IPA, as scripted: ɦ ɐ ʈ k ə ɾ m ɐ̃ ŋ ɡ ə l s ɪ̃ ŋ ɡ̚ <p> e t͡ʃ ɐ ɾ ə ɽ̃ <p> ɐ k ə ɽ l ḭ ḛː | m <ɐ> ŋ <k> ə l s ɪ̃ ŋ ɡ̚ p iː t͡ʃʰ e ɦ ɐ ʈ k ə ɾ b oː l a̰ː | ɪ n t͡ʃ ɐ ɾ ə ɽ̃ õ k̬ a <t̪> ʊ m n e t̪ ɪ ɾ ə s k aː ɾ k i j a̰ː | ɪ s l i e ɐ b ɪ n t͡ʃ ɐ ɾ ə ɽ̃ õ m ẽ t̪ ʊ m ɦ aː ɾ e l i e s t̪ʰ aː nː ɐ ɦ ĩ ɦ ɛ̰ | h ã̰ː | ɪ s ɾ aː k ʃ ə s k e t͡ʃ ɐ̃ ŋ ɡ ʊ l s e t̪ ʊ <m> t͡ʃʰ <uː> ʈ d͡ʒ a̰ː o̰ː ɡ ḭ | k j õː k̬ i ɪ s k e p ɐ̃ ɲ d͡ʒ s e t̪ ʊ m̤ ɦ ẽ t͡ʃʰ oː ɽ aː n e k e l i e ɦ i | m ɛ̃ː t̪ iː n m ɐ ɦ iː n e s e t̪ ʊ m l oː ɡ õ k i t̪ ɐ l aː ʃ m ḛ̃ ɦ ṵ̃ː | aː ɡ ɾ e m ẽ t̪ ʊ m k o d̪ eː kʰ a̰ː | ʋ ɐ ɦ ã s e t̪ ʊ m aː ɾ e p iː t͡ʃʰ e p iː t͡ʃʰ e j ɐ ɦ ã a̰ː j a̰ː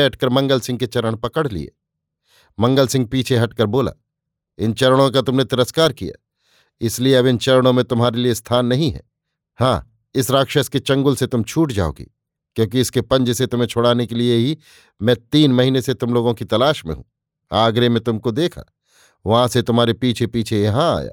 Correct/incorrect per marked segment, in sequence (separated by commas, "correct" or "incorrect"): incorrect, correct, incorrect, incorrect, correct, correct, correct